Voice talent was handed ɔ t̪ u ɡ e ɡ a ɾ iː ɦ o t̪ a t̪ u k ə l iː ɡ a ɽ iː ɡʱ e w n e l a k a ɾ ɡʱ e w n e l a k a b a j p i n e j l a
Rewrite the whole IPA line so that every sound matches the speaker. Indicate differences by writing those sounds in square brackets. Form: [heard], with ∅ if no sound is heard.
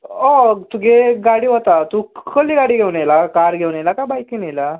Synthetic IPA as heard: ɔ t̪ u ɡ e ɡ a [ɽ] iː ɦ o t̪ a t̪ u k ə l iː ɡ a ɽ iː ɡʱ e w n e l a k a ɾ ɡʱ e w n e l a k a b a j [k] i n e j l a